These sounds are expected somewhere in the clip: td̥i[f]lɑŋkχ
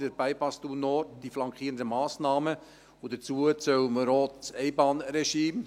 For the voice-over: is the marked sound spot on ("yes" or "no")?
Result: yes